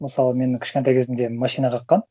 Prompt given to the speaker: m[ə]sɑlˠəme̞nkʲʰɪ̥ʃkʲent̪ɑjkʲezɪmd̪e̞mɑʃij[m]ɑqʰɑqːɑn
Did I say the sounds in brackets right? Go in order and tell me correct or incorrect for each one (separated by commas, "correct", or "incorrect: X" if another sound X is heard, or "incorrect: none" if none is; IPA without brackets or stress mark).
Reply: correct, incorrect: n